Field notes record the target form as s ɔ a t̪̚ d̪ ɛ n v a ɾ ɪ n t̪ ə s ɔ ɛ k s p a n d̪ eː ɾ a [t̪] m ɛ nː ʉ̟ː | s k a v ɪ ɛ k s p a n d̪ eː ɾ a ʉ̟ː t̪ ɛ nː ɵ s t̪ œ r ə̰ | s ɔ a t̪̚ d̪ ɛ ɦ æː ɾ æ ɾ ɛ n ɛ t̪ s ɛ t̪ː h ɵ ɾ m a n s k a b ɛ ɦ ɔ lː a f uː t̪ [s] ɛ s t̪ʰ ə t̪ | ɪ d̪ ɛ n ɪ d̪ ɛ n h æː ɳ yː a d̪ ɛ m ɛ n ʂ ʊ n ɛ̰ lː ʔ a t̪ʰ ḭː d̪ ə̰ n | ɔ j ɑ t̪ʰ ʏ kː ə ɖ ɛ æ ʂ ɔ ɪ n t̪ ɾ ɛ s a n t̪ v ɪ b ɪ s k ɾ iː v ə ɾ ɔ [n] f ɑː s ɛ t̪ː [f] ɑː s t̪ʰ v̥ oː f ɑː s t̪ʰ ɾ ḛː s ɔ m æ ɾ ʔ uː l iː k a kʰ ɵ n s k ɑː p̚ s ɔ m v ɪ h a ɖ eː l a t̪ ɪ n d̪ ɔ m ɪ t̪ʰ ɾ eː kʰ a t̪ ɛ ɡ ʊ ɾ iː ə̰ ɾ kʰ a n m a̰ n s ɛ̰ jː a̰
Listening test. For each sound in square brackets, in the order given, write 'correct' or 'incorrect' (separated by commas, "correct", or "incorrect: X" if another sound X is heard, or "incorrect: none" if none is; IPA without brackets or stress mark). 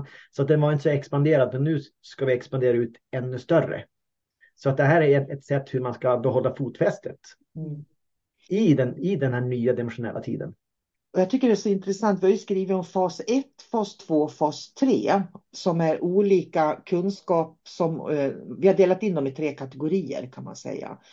incorrect: d̪, incorrect: f, incorrect: m, correct